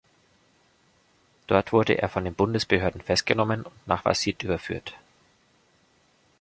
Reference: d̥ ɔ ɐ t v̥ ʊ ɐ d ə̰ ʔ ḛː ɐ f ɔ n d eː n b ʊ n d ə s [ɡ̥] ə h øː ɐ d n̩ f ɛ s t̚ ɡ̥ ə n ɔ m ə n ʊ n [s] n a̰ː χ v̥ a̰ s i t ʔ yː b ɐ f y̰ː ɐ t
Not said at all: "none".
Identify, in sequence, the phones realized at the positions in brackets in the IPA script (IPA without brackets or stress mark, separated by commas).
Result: b̥, t